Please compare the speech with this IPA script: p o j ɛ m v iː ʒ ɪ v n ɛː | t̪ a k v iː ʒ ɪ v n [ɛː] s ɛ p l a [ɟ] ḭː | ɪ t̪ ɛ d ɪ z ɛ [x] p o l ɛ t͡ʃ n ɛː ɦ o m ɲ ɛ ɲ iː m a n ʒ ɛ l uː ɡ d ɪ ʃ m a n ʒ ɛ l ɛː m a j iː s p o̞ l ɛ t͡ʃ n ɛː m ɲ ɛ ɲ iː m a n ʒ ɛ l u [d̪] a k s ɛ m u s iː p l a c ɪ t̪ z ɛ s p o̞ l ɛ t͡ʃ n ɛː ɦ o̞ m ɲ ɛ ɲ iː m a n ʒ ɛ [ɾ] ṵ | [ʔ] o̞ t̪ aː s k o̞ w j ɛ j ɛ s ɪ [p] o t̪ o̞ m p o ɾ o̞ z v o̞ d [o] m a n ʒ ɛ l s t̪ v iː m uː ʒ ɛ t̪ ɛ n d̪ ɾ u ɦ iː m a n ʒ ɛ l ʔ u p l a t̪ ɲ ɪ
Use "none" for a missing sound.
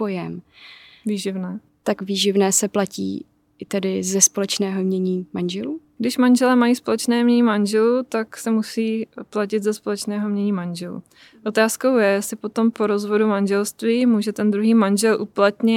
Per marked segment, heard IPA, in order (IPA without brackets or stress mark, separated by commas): ɛː, c, s, t̪, l, ʔ, p, u